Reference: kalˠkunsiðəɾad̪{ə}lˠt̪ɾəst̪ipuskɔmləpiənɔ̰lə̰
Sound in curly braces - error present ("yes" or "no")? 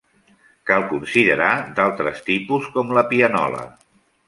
yes